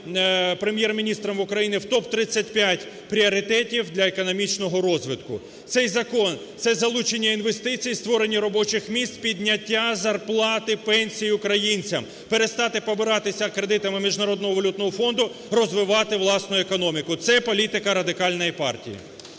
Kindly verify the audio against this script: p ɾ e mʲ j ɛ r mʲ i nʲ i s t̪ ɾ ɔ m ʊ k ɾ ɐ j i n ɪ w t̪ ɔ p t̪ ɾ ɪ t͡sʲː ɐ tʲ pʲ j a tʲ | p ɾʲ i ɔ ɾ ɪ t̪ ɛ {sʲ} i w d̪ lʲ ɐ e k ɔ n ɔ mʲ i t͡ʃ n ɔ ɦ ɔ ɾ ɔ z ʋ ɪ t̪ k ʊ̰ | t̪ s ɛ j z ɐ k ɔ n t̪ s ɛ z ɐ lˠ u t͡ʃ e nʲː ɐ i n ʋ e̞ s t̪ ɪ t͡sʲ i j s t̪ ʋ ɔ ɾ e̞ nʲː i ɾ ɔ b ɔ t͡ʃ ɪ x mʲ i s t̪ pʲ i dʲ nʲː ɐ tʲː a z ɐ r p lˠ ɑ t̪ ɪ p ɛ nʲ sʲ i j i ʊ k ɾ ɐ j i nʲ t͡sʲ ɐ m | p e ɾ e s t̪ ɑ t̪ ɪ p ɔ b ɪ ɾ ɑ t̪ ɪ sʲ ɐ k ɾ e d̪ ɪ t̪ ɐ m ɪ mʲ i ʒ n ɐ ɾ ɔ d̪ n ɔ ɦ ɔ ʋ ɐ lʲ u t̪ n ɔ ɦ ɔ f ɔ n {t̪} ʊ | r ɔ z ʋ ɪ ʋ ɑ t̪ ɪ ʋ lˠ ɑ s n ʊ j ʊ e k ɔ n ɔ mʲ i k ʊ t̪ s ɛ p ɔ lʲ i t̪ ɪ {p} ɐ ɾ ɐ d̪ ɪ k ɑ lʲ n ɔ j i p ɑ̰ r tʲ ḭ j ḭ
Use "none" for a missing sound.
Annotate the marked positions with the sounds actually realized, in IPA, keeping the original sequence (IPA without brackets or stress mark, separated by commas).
tʲ, d̪, k